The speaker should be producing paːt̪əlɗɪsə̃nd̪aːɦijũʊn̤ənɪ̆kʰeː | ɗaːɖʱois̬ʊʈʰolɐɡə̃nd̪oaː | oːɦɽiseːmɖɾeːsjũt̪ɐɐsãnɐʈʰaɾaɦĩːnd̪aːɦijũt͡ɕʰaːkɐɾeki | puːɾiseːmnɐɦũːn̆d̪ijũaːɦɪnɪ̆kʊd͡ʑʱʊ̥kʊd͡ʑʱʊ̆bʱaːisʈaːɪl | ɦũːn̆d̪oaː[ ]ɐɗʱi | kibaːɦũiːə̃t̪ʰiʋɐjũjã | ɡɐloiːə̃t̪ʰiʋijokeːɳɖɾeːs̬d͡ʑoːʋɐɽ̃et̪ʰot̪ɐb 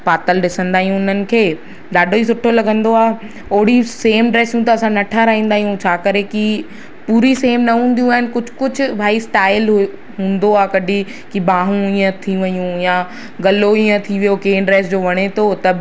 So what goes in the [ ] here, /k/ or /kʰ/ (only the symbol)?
k